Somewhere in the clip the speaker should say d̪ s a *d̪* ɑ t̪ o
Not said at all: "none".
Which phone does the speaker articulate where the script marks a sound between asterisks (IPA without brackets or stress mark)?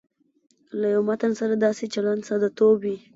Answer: d̪